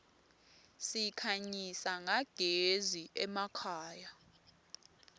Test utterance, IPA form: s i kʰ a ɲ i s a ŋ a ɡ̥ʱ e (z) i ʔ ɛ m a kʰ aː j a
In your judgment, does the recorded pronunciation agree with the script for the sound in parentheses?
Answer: yes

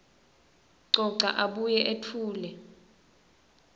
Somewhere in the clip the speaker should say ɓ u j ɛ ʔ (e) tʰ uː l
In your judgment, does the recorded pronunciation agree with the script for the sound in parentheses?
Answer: yes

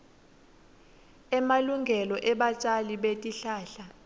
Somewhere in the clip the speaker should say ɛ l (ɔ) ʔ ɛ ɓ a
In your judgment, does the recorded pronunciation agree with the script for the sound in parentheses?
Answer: yes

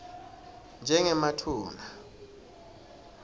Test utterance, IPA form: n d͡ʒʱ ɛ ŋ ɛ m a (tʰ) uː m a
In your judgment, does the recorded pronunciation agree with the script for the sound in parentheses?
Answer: yes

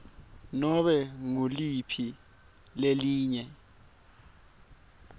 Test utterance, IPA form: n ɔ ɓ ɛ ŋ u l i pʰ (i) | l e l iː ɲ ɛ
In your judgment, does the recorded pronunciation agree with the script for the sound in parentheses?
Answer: yes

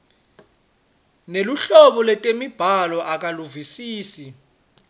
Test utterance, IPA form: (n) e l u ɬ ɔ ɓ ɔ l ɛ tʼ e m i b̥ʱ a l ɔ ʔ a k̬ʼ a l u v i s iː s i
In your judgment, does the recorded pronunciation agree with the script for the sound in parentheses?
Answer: yes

